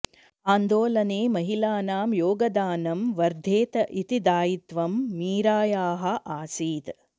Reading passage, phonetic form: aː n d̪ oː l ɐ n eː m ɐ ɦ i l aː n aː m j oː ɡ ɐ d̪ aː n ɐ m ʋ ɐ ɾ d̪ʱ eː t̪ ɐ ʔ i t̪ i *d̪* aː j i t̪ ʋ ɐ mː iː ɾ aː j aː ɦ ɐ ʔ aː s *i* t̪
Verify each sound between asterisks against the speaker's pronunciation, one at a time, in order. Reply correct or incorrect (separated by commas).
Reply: correct, incorrect